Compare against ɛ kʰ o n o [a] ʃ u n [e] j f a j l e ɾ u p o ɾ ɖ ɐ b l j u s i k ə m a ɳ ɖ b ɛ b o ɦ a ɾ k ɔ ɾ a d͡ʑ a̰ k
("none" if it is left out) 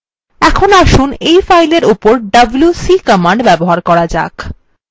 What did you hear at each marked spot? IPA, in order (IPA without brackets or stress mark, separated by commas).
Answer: a, e